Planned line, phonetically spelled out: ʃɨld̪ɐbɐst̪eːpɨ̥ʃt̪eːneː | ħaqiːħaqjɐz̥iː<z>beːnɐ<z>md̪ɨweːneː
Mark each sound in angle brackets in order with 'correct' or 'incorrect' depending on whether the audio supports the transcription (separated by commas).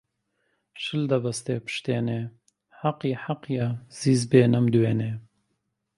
correct, incorrect